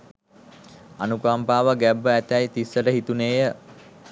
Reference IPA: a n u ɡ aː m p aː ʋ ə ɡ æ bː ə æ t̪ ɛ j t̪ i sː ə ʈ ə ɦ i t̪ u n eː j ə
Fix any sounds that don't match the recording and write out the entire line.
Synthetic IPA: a n u k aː m p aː ʋ ə ɡ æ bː ə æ t̪ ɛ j t̪ i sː ə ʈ ə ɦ i t̪ u n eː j ə